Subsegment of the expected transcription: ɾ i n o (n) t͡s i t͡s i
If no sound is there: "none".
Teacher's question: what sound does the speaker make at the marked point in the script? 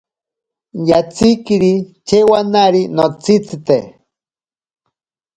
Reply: none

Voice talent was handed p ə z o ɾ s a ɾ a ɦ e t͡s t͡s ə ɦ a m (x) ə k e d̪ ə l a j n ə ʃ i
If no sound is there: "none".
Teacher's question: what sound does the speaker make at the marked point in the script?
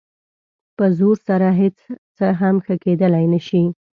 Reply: x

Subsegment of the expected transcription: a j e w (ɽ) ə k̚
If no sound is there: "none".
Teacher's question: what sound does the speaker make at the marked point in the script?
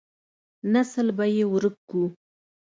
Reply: ɾ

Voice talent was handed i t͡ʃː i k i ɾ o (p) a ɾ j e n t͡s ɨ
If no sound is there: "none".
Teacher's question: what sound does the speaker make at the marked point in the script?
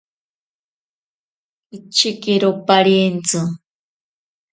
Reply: p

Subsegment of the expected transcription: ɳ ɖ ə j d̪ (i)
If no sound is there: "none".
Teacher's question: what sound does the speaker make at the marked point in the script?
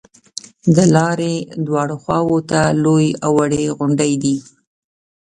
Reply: i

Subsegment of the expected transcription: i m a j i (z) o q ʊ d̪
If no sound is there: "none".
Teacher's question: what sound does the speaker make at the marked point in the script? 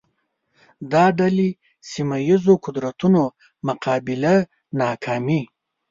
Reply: z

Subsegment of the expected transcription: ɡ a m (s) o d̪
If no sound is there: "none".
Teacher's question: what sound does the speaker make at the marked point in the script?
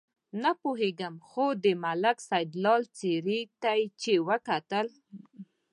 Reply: x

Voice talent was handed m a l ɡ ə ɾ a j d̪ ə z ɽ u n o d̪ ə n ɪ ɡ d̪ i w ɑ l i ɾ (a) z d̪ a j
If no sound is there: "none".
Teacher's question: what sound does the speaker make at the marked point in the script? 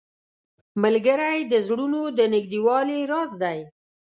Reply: ɑ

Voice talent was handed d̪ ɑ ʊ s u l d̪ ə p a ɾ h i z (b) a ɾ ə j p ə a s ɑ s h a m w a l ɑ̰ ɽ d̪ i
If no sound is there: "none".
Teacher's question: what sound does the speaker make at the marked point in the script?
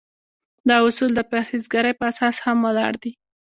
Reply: ɡ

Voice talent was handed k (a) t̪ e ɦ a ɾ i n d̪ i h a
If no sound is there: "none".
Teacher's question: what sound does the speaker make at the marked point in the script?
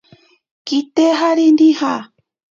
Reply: i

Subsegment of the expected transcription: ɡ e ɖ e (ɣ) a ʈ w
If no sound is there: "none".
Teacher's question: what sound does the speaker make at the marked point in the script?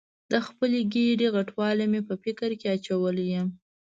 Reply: ɣ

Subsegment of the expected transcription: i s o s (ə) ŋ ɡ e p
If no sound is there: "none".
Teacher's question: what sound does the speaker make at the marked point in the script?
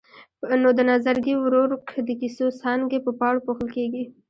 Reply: ɑ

